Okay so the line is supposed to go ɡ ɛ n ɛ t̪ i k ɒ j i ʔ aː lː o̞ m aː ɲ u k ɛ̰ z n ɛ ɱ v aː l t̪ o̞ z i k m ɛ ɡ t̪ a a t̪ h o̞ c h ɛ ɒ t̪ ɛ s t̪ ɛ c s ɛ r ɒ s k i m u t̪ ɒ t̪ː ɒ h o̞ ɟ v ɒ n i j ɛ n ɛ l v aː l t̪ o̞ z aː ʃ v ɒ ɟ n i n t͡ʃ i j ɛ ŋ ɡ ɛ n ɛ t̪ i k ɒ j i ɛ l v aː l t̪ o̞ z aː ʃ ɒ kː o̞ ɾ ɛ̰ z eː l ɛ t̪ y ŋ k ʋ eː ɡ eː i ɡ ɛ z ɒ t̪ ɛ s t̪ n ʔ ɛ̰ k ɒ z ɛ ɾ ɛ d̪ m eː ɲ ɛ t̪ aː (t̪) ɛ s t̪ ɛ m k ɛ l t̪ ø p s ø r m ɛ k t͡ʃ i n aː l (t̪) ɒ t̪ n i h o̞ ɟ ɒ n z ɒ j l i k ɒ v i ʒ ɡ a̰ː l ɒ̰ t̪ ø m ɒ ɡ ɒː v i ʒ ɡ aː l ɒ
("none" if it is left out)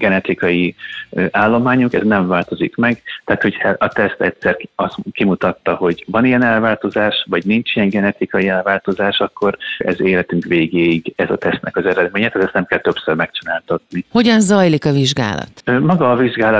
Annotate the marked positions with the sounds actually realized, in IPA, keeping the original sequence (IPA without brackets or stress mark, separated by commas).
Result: t̪, t̪